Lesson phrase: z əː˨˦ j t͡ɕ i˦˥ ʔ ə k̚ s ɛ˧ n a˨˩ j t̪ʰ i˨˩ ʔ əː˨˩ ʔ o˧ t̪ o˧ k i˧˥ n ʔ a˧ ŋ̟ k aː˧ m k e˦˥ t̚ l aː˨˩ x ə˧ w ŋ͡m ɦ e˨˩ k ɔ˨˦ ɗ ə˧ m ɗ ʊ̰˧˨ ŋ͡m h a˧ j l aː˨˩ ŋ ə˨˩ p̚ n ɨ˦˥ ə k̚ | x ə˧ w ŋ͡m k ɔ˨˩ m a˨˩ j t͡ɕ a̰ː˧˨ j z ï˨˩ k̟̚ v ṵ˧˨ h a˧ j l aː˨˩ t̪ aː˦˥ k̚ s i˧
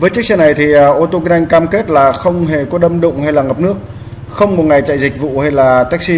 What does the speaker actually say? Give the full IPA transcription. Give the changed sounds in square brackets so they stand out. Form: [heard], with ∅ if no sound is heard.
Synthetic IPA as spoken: [v] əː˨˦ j t͡ɕ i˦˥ [∅] ə k̚ s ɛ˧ n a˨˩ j t̪ʰ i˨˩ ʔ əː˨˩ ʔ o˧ t̪ o˧ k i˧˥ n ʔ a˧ ŋ̟ k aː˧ m k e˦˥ t̚ l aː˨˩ x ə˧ w ŋ͡m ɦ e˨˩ k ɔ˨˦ ɗ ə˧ m ɗ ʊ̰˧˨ ŋ͡m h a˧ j l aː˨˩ ŋ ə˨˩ p̚ n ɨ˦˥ ə k̚ | x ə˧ w ŋ͡m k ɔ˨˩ [ŋ] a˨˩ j t͡ɕ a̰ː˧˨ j z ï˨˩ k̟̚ v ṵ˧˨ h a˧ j l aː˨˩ t̪ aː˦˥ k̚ s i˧

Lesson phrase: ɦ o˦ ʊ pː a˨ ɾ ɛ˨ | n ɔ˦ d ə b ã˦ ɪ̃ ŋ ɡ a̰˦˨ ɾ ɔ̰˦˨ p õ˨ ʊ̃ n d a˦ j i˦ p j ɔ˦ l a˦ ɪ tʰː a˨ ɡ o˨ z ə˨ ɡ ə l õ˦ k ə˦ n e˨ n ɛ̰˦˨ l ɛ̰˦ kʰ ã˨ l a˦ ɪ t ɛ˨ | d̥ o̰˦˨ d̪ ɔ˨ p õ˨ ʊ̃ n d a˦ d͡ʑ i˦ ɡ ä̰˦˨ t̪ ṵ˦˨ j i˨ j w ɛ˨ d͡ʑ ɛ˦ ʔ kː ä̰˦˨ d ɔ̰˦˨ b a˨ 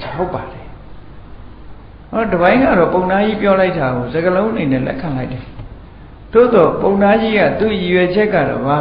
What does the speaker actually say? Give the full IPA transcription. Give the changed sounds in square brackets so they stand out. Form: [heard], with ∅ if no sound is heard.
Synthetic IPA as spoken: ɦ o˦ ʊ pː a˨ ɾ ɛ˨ | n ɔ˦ d ə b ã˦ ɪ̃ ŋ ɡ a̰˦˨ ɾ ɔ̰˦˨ p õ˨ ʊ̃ n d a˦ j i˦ p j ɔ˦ l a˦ ɪ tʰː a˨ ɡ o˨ z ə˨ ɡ ə l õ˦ [ʔ] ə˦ n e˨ n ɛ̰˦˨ l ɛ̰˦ kʰ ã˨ l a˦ ɪ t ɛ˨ | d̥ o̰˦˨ d̪ ɔ˨ p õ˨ ʊ̃ n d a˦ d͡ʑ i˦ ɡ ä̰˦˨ t̪ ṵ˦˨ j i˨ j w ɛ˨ d͡ʑ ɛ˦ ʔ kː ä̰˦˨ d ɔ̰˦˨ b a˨

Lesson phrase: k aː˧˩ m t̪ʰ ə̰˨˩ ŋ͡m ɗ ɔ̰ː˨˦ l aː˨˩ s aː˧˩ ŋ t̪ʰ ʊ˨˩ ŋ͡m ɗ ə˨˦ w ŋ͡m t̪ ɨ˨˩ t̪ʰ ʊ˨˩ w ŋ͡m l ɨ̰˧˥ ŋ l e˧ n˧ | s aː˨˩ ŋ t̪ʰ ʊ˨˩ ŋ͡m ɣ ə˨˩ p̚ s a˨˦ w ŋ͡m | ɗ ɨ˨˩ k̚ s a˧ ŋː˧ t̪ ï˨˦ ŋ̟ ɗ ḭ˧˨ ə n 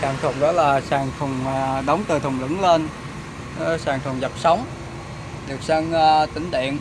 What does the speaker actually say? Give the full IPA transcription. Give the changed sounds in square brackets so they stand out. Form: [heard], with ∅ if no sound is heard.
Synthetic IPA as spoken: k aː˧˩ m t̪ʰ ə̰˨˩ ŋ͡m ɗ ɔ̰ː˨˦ l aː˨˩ s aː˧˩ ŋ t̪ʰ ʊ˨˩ ŋ͡m ɗ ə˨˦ w ŋ͡m t̪ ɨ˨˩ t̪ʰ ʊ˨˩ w ŋ͡m l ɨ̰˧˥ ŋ l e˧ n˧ | s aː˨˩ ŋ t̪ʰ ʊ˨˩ ŋ͡m [z] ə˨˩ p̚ s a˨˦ w ŋ͡m | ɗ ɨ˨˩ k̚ s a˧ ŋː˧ t̪ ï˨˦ ŋ̟ ɗ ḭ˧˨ ə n

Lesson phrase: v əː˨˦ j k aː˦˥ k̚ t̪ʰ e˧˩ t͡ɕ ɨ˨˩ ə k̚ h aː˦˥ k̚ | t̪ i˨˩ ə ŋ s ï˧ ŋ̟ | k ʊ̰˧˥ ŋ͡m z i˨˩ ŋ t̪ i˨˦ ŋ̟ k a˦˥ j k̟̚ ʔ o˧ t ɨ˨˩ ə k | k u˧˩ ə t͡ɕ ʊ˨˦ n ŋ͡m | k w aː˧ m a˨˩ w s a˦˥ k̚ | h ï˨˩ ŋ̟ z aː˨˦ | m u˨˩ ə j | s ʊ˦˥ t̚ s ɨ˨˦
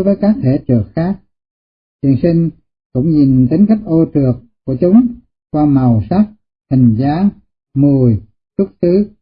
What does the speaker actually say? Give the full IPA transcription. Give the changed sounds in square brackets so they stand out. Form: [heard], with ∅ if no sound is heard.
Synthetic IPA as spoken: v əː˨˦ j k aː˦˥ k̚ t̪ʰ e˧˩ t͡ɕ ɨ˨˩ ə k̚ [x] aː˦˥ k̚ | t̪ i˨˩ ə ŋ s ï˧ ŋ̟ | k ʊ̰˧˥ ŋ͡m z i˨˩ [n] t̪ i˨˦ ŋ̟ k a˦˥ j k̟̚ ʔ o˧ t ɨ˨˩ ə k | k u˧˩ ə t͡ɕ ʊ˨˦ [∅] ŋ͡m | k w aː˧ m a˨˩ w s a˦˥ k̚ | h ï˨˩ ŋ̟ z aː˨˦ | m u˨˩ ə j | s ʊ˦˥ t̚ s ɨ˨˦

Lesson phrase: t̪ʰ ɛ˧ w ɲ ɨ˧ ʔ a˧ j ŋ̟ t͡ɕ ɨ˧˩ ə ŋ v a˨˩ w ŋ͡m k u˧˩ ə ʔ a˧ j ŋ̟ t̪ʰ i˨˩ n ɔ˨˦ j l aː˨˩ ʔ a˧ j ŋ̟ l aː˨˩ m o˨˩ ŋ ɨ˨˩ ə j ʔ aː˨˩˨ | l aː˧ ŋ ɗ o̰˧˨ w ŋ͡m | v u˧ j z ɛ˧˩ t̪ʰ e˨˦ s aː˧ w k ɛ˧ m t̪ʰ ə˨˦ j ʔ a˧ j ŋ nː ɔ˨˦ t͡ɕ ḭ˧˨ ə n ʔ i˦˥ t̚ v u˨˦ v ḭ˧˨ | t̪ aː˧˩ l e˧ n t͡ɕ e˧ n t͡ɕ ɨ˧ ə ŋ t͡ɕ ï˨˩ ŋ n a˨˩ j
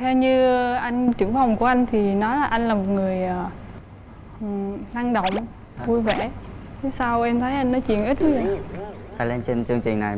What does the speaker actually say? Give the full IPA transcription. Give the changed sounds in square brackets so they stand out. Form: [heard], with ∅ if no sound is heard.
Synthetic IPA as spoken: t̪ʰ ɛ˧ w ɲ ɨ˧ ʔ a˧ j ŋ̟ t͡ɕ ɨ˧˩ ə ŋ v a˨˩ w ŋ͡m k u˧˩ ə ʔ a˧ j ŋ̟ t̪ʰ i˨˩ n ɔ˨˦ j l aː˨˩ ʔ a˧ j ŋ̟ l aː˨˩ m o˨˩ ŋ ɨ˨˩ ə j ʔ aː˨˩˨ | l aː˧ ŋ ɗ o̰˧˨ w ŋ͡m | v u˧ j [v] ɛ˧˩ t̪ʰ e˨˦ s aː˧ w [ʔ] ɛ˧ m t̪ʰ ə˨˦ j ʔ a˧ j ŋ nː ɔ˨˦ t͡ɕ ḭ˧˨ ə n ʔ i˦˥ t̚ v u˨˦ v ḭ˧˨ | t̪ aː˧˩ l e˧ n t͡ɕ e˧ n t͡ɕ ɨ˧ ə ŋ t͡ɕ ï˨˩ ŋ n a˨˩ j

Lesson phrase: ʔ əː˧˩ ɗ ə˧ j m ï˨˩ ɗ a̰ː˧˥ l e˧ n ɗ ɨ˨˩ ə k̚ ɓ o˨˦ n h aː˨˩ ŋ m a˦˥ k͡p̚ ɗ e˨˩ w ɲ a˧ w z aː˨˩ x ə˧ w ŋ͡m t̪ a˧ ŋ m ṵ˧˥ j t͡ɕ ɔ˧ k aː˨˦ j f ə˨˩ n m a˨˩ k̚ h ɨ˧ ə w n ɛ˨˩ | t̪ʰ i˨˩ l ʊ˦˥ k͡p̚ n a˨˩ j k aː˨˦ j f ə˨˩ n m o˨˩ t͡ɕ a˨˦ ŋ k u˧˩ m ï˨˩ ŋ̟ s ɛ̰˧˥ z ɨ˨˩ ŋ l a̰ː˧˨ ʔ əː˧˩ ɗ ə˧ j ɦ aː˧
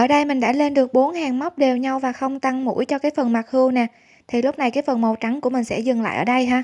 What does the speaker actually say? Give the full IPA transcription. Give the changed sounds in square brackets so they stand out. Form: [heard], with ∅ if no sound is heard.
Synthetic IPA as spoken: ʔ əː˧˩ ɗ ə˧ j m ï˨˩ ɗ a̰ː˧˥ l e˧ n ɗ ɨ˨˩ ə k̚ ɓ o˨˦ n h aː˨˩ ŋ m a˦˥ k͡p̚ ɗ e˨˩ w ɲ a˧ w [v] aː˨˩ x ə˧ w ŋ͡m t̪ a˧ ŋ m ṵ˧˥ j t͡ɕ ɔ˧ k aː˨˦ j f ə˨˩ n m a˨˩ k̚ h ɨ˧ ə w n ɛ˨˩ | t̪ʰ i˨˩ l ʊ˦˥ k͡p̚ n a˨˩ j k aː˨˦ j f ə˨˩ n m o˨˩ t͡ɕ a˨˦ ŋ k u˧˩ m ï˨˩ ŋ̟ s ɛ̰˧˥ z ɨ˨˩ ŋ l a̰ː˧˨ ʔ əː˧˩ ɗ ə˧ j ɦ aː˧

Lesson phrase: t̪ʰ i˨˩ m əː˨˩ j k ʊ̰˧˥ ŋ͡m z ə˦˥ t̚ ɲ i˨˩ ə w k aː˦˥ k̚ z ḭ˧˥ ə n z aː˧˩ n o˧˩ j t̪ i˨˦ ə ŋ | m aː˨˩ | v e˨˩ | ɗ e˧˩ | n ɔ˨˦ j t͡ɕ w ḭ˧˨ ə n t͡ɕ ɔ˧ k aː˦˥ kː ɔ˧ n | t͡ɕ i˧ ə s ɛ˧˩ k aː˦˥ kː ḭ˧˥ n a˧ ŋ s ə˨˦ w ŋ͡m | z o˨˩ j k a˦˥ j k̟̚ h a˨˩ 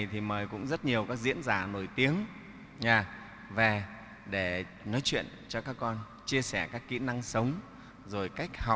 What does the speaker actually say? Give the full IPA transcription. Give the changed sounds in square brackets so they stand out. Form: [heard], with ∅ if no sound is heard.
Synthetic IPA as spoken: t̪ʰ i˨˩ m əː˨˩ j k ʊ̰˧˥ ŋ͡m z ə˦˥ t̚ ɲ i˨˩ ə w k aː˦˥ k̚ z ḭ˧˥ ə n z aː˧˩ n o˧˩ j t̪ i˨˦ ə ŋ | [ɲ] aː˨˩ | v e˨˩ | ɗ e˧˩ | n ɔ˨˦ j t͡ɕ w ḭ˧˨ ə n t͡ɕ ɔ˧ k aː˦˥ kː ɔ˧ n | t͡ɕ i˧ ə s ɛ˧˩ k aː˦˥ kː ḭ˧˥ n a˧ ŋ s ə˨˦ w ŋ͡m | z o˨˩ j k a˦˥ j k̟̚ h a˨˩

